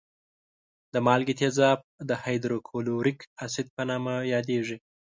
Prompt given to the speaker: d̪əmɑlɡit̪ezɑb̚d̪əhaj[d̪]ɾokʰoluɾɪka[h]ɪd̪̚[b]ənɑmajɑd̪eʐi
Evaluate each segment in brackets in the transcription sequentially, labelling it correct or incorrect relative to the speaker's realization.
correct, incorrect, incorrect

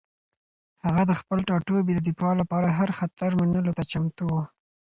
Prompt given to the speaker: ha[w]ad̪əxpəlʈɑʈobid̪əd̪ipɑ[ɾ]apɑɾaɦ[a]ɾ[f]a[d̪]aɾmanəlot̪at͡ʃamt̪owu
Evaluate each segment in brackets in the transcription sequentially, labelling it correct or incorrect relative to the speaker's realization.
incorrect, incorrect, correct, incorrect, incorrect

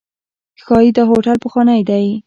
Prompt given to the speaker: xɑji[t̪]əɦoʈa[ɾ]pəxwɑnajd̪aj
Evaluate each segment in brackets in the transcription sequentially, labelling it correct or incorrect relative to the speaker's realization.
incorrect, incorrect

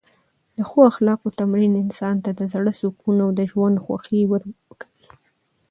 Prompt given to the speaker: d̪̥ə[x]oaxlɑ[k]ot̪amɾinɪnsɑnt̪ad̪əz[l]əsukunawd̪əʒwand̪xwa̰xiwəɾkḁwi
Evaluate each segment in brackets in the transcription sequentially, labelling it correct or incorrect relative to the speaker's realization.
correct, incorrect, incorrect

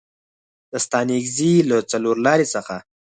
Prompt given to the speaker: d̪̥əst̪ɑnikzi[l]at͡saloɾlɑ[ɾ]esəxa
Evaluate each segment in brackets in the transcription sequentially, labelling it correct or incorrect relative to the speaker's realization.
correct, correct

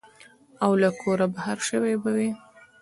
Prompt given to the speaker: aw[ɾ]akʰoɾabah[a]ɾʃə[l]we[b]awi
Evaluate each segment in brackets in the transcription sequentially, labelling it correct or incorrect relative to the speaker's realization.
incorrect, correct, incorrect, correct

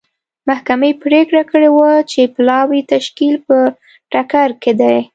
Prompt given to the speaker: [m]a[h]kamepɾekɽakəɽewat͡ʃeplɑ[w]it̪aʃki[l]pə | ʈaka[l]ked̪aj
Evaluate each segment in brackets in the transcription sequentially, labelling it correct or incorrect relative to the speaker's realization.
correct, correct, correct, correct, incorrect

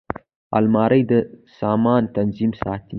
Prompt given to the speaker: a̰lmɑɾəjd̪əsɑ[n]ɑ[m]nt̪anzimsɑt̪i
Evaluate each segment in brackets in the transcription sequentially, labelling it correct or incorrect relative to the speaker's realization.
incorrect, incorrect

